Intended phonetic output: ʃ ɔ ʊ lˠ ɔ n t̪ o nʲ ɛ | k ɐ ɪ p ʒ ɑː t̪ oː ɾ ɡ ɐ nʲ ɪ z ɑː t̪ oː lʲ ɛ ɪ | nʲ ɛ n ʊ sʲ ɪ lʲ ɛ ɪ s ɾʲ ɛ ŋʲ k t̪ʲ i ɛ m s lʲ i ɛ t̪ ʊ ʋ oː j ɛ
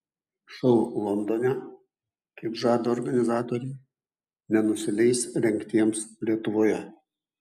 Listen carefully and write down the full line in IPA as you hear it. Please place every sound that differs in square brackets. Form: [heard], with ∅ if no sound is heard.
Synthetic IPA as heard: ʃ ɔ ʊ lˠ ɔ n [d̪] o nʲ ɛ | k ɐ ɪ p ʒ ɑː [d̪] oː ɾ ɡ ɐ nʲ ɪ z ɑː t̪ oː [ɾʲ] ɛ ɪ | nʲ ɛ n ʊ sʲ ɪ lʲ ɛ ɪ s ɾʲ ɛ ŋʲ k t̪ʲ i ɛ m s lʲ i ɛ t̪ ʊ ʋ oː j ɛ